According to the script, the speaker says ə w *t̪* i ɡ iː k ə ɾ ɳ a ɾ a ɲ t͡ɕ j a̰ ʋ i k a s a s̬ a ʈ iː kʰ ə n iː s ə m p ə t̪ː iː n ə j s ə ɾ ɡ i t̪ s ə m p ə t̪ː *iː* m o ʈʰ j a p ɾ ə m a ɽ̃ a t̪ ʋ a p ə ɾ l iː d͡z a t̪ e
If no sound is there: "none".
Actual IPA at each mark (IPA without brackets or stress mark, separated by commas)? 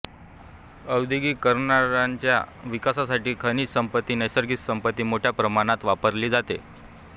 d̪, iː